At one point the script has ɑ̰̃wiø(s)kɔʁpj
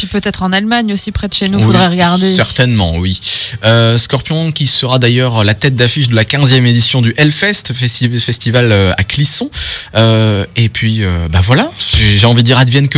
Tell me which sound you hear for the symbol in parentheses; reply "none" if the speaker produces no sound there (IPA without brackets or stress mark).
s